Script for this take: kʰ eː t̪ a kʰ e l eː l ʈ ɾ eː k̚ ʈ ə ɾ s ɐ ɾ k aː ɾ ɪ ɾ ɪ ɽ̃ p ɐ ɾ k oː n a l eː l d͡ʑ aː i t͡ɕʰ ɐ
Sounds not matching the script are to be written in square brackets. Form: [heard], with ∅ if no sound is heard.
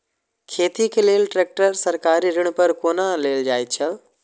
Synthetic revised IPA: kʰ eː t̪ [i] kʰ e l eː l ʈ ɾ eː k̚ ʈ ə ɾ s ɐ ɾ k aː ɾ [i] ɾ ɪ ɽ̃ p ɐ ɾ k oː n a l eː l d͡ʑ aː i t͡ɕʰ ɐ